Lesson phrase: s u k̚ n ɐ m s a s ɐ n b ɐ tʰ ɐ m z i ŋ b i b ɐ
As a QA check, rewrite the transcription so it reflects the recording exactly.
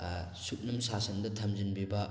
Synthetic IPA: s u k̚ n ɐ m s a s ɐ n d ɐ tʰ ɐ m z i n b i b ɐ